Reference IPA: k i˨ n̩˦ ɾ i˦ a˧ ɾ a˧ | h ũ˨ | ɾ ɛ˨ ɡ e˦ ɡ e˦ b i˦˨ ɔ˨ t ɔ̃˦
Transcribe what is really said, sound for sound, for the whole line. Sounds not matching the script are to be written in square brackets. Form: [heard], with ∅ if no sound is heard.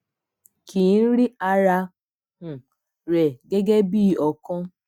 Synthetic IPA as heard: k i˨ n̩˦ ɾ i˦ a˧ ɾ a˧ | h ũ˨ | ɾ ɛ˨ ɡ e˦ ɡ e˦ b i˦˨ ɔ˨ [k] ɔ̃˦